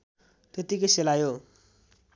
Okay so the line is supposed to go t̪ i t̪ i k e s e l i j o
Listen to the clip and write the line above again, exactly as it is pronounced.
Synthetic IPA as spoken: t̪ e t̪ i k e s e l a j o